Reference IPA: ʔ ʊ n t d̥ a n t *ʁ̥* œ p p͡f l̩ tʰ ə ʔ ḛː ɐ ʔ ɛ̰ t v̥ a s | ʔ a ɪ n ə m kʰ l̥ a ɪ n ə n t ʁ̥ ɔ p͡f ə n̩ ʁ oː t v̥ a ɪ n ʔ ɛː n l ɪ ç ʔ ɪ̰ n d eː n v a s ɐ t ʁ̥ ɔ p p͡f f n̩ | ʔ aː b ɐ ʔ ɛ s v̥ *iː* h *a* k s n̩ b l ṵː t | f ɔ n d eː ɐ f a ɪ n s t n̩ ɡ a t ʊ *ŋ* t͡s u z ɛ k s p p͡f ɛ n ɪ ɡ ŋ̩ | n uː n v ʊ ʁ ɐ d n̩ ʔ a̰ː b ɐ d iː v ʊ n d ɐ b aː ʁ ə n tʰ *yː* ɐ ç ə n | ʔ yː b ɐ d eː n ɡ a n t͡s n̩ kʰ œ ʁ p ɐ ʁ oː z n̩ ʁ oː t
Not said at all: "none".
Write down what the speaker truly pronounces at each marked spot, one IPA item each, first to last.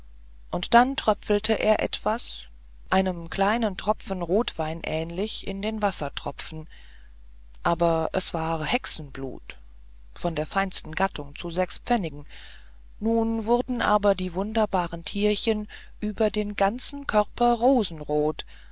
ʁ̥, aː, ɛ, ŋ, iː

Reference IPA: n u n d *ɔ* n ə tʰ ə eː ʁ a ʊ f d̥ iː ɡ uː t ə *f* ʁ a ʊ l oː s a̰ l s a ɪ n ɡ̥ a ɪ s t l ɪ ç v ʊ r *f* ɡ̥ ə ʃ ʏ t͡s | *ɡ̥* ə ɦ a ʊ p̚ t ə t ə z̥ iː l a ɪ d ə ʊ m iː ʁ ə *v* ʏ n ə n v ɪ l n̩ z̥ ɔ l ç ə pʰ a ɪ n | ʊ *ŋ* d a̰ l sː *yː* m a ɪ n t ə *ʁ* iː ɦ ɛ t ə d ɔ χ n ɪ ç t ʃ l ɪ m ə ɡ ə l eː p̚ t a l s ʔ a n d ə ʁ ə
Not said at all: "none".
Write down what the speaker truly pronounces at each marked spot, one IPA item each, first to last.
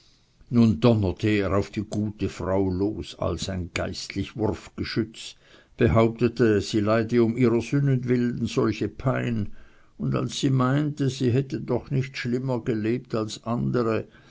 ɔ, f, f, b̥, z, n, iː, z

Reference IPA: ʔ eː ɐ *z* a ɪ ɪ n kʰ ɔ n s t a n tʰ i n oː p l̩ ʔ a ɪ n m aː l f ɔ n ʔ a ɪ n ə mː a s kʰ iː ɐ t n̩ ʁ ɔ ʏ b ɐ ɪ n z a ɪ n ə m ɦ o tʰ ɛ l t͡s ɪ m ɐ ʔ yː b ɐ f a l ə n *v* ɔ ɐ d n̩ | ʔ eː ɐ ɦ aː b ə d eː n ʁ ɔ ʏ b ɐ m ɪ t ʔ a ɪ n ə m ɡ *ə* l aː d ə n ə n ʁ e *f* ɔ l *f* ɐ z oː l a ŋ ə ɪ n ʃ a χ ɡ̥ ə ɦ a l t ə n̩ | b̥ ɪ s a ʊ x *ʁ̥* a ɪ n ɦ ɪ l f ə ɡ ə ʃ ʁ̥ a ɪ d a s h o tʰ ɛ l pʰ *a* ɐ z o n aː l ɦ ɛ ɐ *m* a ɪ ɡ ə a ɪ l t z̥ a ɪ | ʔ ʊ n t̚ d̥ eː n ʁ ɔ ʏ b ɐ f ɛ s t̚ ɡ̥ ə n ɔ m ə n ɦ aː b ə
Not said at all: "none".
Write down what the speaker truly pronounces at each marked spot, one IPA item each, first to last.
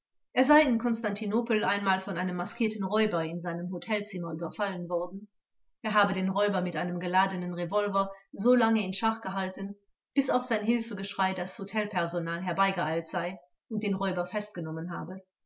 z, v, ə, v, v, z̥, ɛ, b

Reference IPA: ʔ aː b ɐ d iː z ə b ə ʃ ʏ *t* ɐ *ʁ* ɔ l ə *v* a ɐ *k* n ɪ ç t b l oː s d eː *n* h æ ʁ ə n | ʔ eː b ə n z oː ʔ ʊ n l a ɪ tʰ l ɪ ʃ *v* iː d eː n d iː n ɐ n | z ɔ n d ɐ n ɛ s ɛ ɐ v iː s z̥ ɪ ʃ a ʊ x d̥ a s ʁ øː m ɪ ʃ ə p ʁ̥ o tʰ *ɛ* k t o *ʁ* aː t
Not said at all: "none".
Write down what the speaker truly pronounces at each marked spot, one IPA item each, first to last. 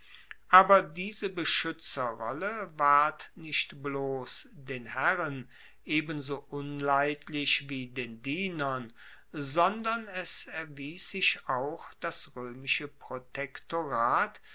t͡s, ʁ, v, t, n, v, ɛ, ʁ

